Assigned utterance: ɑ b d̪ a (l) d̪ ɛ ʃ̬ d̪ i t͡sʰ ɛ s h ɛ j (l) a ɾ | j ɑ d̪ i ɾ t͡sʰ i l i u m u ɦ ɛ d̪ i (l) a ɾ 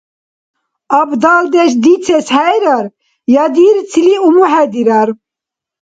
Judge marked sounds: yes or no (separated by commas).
yes, no, no